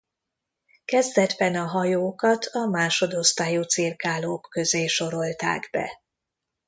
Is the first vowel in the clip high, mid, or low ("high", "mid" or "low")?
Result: mid